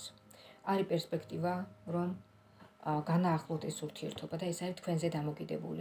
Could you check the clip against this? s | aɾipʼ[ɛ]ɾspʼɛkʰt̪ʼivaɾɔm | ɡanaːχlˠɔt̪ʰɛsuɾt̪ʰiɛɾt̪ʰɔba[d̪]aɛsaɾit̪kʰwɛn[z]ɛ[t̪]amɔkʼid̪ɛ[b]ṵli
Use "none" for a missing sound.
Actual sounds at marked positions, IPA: ɛ, d̪, z, d̪, b

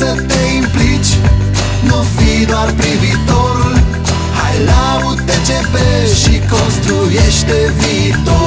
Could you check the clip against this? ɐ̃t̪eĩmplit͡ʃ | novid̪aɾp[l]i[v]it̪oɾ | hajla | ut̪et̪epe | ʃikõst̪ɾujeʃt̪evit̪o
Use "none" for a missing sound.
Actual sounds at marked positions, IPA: ɾ, v

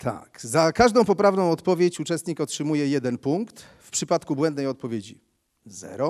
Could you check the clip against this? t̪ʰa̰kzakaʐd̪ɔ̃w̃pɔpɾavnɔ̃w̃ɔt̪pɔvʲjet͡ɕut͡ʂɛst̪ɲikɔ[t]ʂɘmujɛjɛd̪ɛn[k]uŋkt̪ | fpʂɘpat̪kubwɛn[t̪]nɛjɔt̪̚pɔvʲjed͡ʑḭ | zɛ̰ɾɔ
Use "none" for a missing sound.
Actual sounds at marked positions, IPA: t, p, d̪

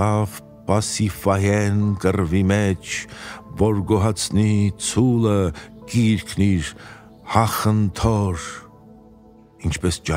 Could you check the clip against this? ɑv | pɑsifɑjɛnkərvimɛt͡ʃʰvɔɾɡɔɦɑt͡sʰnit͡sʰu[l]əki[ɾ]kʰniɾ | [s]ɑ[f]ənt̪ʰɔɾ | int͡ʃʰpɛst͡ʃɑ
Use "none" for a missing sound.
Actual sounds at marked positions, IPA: l, ɾ, h, χ

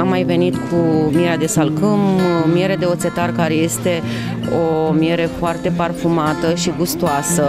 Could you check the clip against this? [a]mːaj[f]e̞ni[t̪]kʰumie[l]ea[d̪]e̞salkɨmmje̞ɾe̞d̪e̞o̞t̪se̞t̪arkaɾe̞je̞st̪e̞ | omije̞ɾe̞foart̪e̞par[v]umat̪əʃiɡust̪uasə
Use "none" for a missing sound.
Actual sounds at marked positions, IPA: a, v, t̪, ɾ, d̪, f

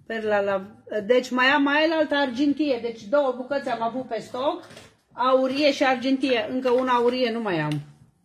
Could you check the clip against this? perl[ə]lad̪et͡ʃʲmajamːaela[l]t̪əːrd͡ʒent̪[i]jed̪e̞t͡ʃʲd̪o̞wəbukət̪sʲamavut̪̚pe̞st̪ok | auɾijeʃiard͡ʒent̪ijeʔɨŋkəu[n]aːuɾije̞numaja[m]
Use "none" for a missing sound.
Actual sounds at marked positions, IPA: a, l, i, n, m

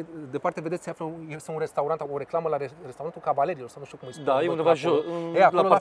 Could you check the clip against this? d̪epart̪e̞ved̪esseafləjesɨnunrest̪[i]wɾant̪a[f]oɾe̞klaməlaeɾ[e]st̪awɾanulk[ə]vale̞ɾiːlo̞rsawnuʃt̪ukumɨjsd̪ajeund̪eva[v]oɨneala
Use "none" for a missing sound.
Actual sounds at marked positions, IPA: a, none, e, a, ʒ

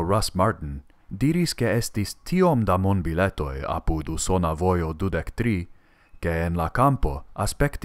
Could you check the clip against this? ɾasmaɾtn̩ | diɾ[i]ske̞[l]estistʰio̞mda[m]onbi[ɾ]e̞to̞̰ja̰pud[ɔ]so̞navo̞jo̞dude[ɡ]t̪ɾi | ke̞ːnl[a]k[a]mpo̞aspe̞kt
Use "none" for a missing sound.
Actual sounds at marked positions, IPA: i, none, m, l, u, k, a, a

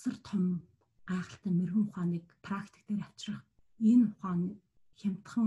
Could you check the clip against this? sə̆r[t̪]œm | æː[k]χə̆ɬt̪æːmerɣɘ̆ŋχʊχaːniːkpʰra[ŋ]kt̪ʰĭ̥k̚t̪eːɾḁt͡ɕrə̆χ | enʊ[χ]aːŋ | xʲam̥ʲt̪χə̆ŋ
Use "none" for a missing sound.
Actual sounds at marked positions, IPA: t̪ʰ, none, none, χ

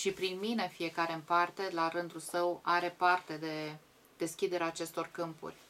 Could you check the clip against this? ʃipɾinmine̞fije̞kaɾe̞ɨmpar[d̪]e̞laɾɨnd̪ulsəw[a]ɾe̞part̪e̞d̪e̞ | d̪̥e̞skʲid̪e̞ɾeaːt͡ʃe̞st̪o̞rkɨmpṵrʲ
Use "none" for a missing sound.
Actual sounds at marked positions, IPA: t̪, a

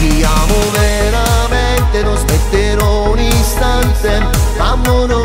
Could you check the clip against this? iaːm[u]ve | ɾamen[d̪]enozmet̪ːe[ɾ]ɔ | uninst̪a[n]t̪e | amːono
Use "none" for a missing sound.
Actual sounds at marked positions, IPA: o, t̪, ɾ, n

